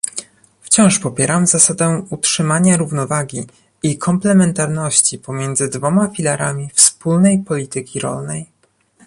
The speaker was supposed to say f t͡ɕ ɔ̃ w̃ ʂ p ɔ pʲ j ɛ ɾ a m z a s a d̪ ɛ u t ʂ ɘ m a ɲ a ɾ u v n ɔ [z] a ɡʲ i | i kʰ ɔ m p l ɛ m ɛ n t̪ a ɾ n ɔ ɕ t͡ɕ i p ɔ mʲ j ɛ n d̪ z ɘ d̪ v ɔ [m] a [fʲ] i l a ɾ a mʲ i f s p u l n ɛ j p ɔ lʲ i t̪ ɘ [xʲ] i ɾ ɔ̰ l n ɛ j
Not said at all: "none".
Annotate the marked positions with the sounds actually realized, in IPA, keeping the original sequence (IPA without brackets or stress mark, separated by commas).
v, m, fʲ, kʲ